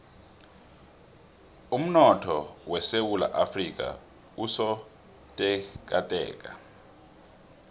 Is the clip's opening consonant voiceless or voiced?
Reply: voiced